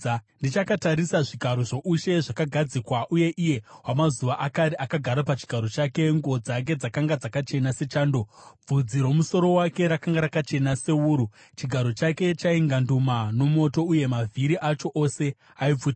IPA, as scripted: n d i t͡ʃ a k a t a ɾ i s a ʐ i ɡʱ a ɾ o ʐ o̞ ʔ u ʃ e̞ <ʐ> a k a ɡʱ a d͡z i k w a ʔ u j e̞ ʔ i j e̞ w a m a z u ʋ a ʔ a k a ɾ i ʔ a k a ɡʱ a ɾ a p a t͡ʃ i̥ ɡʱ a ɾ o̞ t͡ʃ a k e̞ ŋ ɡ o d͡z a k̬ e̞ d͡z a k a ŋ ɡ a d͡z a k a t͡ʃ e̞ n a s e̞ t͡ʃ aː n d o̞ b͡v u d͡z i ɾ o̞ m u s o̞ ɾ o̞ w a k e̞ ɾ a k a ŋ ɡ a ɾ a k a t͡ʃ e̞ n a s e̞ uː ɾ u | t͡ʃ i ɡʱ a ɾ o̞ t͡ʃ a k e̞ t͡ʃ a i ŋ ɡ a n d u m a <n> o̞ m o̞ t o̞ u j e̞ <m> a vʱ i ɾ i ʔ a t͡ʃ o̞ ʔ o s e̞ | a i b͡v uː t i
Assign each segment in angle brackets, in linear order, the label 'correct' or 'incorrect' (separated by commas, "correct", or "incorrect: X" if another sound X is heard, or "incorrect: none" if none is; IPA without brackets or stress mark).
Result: correct, correct, correct